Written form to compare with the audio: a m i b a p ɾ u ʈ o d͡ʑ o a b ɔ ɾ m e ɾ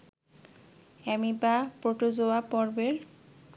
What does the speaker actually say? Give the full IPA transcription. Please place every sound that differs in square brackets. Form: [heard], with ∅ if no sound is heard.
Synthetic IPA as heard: [ɛ] m i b a p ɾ [o] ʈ o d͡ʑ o a [p] ɔ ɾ [b] e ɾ

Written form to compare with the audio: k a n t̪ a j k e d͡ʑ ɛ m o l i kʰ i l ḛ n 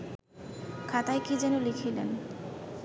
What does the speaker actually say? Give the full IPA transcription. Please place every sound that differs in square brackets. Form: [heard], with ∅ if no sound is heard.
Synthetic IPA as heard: [kʰ] a [∅] t̪ a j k [i] d͡ʑ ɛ [n] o l i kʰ i l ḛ n

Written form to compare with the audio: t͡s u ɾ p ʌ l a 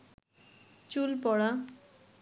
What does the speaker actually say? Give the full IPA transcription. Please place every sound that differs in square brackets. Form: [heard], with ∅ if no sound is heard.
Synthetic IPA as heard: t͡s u [l] p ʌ [ɽ] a

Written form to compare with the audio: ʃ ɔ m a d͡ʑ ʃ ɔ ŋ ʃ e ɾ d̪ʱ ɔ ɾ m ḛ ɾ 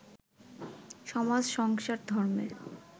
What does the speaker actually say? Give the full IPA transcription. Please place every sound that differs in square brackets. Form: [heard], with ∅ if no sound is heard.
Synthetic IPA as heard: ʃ ɔ m a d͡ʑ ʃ ɔ ŋ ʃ [a] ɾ d̪ʱ ɔ ɾ m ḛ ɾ

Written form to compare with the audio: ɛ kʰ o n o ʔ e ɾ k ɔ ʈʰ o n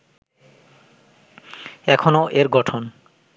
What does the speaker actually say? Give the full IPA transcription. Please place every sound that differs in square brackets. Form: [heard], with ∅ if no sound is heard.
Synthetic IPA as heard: ɛ kʰ o n o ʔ e ɾ [ɡ] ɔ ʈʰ o n

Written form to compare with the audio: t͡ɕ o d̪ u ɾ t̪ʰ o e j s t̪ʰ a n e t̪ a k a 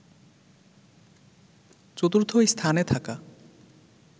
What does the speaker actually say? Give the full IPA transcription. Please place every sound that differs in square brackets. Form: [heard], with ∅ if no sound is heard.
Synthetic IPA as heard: t͡ɕ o [t̪] u ɾ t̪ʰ o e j s t̪ʰ a n e [t̪ʰ] a k a

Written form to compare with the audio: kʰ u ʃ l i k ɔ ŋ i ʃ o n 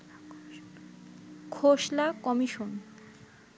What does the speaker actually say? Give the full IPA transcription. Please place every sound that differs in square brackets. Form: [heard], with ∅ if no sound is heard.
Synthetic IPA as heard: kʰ [o] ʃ l [a] k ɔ [m] i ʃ o n

